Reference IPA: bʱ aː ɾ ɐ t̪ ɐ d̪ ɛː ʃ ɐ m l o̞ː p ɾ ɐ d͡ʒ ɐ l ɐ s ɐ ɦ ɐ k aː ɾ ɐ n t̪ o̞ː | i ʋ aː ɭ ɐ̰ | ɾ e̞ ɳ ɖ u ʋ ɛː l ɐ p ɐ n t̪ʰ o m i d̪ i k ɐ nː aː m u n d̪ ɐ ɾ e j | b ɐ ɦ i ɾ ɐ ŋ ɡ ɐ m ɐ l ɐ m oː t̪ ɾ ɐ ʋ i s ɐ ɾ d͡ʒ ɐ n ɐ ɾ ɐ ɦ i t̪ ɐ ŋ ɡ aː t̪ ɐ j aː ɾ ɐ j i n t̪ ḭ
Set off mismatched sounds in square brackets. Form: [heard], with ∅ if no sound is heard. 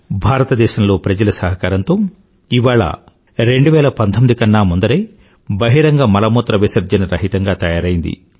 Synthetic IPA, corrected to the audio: bʱ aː ɾ ɐ t̪ ɐ d̪ ɛː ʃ ɐ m l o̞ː p ɾ ɐ d͡ʒ ɐ l ɐ s ɐ ɦ ɐ k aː ɾ ɐ n t̪ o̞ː | i ʋ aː ɭ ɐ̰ | ɾ e̞ ɳ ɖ u ʋ ɛː l ɐ p ɐ n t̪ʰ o m i d̪ i k ɐ nː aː m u n d̪ ɐ ɾ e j | b ɐ ɦ i ɾ ɐ ŋ ɡ ɐ m ɐ l ɐ m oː t̪ ɾ ɐ ʋ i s ɐ ɾ d͡ʒ ɐ n ɐ ɾ ɐ ɦ i t̪ ɐ ŋ ɡ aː t̪ ɐ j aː ɾ ɐ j i n [d̪] ḭ